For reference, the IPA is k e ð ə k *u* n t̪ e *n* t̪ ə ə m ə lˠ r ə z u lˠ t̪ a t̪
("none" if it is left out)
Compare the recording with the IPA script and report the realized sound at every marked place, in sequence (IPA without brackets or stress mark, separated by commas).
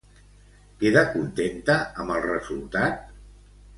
u, n